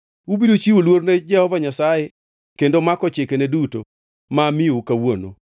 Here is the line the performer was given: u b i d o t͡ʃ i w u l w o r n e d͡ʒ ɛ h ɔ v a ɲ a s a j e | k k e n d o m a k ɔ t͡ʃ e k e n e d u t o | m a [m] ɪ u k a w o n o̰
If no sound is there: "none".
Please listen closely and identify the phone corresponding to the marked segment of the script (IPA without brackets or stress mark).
m